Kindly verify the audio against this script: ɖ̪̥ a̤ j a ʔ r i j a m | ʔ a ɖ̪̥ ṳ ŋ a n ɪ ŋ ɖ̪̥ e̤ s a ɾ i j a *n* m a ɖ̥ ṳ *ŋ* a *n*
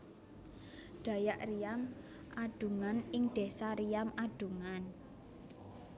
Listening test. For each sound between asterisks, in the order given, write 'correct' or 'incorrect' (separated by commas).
incorrect, correct, correct